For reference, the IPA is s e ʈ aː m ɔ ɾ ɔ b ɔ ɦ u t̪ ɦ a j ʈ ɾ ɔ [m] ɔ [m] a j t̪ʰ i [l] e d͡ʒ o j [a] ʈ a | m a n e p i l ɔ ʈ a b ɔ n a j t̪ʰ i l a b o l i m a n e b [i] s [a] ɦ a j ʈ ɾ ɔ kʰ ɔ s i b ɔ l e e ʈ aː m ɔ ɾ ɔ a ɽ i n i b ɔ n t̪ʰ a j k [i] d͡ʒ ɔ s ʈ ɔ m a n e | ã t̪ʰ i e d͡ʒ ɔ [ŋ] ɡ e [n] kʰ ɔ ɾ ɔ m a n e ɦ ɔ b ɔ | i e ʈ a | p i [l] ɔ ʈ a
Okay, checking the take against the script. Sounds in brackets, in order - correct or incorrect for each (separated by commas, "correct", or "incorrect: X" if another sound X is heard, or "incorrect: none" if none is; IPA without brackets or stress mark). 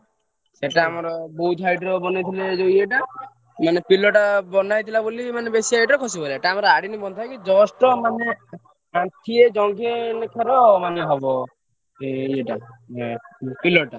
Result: incorrect: b, incorrect: n, correct, incorrect: e, incorrect: e, incorrect: i, correct, correct, correct, correct